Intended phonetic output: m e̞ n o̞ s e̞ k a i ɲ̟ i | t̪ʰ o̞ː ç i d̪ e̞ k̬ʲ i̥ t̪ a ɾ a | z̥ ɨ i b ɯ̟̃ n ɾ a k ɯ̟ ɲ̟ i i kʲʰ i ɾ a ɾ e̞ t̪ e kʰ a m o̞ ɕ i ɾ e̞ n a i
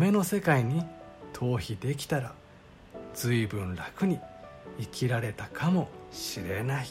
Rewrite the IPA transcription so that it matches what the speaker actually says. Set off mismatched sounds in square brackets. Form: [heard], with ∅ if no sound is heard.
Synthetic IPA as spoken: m e̞ n o̞ s e̞ k a i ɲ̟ i | t̪ʰ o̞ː ç i d̪ e̞ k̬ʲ i̥ t̪ a ɾ a | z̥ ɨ i b ɯ̟̃ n ɾ a k ɯ̟ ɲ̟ i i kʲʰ i ɾ a ɾ e̞ t̪ [a] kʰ a m o̞ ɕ i ɾ e̞ n a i